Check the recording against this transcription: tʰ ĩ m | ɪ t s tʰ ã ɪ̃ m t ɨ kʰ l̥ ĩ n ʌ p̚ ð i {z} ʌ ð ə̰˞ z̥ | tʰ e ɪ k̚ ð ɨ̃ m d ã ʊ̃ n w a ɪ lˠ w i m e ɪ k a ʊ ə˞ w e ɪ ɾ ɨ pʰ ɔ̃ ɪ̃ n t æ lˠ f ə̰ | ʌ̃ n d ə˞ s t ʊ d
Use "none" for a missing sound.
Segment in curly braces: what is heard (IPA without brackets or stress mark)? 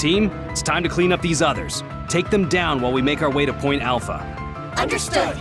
z